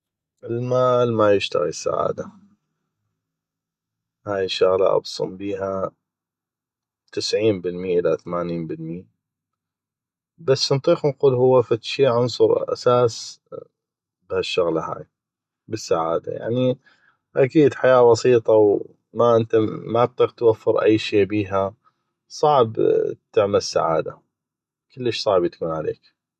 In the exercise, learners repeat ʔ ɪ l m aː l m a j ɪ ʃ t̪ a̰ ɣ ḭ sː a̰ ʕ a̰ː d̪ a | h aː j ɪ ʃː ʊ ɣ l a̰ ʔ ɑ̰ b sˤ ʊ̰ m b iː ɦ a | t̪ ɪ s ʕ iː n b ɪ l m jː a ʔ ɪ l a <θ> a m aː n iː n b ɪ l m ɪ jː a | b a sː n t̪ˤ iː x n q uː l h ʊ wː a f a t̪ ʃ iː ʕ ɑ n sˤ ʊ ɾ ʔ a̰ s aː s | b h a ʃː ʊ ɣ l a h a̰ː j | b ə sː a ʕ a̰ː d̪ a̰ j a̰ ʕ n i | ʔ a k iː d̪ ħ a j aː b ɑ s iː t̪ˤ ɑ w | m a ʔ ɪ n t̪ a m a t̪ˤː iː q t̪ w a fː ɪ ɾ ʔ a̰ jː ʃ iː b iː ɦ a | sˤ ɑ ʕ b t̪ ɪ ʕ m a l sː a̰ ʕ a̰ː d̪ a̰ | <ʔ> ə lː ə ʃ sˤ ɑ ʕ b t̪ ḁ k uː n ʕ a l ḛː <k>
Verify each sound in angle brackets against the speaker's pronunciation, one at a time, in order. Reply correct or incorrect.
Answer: correct, incorrect: k, correct

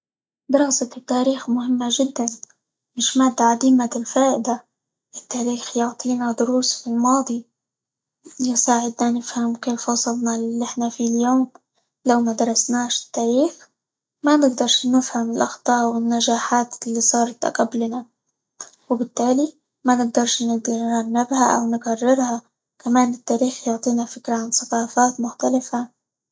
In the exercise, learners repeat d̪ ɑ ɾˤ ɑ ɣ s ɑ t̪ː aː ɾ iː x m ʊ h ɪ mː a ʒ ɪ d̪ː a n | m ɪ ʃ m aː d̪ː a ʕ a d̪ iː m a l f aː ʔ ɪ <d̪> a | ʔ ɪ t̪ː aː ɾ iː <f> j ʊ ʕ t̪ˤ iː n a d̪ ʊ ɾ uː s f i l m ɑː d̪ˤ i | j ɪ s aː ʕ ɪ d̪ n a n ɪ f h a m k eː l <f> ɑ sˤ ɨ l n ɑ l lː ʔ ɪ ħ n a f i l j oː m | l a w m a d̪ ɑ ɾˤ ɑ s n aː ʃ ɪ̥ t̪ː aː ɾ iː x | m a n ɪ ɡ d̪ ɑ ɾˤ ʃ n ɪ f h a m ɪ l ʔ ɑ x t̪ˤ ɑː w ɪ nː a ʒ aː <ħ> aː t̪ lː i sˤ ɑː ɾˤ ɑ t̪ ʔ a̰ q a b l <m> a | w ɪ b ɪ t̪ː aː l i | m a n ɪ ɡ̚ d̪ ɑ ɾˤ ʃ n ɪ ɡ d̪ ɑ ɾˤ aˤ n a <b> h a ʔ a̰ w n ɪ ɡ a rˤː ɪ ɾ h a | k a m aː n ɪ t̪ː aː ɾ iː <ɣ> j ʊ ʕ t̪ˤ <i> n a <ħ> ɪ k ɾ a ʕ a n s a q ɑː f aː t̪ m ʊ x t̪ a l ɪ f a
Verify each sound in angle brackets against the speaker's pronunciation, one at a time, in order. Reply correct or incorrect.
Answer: correct, incorrect: x, correct, correct, incorrect: n, correct, incorrect: x, incorrect: iː, incorrect: f

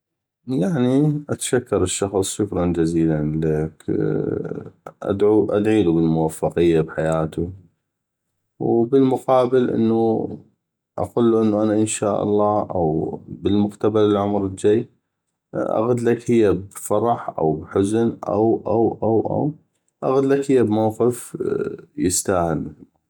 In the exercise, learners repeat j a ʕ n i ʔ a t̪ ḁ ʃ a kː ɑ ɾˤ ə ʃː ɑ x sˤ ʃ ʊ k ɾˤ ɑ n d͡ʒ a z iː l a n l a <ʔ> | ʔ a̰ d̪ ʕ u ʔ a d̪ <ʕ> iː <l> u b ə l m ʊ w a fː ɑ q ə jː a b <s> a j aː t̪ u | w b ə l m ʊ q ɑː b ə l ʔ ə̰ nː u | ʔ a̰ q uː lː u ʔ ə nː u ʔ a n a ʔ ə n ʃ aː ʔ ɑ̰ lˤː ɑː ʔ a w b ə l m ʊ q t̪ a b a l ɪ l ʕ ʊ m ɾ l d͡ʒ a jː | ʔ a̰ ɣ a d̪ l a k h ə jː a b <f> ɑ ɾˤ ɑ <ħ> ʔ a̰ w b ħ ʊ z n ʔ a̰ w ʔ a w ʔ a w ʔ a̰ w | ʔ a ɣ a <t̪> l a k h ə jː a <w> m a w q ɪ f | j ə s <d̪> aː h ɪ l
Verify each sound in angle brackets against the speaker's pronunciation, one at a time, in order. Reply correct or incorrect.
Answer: incorrect: k, correct, correct, incorrect: ħ, correct, correct, incorrect: d̪, incorrect: b, incorrect: t̪

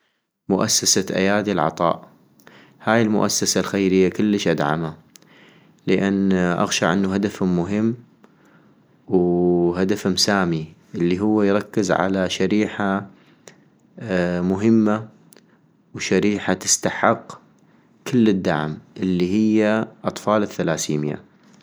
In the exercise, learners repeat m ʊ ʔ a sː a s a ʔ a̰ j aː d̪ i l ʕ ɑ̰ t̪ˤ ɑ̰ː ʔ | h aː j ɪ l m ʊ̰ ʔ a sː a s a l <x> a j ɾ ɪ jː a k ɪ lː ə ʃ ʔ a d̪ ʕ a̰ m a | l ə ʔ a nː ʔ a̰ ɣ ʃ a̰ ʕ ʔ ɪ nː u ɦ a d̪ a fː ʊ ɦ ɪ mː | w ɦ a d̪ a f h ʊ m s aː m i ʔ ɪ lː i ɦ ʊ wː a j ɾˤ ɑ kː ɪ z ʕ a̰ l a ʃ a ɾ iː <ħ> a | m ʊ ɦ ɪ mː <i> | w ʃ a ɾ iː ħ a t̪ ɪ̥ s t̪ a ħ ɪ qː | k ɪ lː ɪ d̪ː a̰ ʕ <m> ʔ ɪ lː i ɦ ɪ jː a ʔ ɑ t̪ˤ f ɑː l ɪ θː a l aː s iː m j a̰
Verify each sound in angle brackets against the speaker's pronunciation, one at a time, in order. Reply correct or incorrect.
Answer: correct, correct, incorrect: a, correct

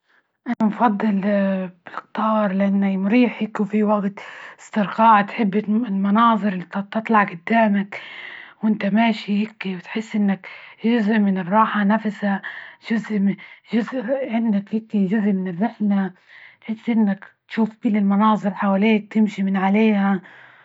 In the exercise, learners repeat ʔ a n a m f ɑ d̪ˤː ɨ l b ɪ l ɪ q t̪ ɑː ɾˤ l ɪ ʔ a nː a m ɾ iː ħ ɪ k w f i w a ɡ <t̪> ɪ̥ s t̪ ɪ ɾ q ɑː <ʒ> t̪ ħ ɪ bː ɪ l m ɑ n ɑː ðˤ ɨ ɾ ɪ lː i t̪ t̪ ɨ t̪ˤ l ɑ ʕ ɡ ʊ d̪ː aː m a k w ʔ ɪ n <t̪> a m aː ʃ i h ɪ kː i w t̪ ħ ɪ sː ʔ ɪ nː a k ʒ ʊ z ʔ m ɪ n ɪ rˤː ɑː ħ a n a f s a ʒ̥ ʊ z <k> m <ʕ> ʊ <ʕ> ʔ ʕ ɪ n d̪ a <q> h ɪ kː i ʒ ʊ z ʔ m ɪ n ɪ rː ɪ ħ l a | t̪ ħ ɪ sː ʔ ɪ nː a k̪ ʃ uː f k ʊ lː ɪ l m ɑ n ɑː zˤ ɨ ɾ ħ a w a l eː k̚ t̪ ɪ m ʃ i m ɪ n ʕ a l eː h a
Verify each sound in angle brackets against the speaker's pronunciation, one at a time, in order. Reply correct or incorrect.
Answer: correct, incorrect: ʕ, correct, incorrect: ʔ, incorrect: ʒ, incorrect: z, incorrect: k

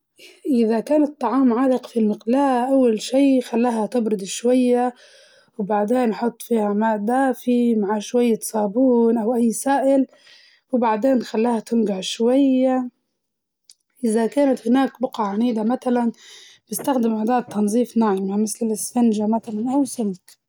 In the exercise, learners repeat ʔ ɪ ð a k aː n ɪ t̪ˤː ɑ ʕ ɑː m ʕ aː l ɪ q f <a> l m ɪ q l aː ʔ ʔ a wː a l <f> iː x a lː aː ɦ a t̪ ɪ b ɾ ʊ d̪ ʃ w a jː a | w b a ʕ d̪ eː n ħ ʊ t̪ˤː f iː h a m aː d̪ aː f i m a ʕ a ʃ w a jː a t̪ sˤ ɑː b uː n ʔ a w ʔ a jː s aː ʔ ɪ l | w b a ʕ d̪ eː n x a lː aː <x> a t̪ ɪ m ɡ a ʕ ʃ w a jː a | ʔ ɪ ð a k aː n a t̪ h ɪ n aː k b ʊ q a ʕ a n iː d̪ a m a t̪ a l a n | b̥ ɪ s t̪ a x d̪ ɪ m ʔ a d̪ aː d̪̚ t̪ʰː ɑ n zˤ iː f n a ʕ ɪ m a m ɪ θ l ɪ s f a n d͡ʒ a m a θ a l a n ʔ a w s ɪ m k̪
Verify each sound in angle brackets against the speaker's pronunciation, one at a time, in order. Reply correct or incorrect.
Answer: incorrect: i, incorrect: ʃ, incorrect: h

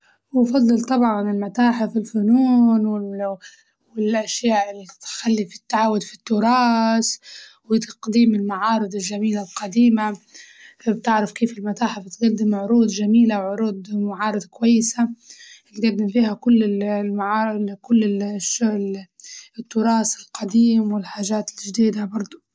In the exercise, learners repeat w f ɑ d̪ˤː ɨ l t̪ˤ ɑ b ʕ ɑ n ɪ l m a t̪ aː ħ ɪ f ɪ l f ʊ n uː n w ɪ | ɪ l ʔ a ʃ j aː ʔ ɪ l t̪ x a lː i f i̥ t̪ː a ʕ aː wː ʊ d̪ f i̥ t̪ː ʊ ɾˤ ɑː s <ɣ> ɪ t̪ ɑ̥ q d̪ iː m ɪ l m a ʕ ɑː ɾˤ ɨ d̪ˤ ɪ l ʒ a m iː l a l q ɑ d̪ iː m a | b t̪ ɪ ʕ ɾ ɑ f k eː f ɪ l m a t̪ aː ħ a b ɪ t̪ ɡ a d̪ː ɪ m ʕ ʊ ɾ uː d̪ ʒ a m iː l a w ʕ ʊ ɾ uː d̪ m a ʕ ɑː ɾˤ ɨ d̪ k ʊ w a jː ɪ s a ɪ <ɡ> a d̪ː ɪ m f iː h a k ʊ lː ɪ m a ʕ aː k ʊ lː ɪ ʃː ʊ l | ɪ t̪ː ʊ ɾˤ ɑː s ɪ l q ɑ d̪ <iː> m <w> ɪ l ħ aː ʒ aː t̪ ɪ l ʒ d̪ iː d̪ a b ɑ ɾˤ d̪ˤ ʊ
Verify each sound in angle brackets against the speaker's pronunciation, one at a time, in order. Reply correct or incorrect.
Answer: incorrect: w, correct, correct, correct

